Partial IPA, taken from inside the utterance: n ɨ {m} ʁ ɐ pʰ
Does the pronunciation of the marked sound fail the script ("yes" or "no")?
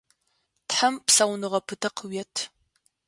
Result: yes